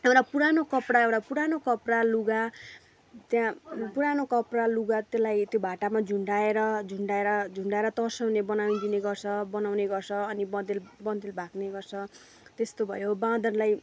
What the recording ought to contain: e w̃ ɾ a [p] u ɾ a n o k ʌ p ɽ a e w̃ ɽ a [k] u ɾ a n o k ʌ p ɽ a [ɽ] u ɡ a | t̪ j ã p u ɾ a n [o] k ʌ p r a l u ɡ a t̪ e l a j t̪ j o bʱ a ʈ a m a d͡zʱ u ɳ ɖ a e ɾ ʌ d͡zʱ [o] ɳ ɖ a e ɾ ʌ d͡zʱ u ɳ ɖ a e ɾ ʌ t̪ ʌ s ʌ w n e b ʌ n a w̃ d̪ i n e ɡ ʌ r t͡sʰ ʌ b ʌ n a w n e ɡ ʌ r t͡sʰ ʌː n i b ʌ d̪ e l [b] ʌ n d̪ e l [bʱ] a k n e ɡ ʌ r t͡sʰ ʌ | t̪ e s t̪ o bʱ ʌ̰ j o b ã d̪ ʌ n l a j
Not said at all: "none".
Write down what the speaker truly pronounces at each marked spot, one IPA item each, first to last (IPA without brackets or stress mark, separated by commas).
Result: p, p, l, o, u, b, bʱ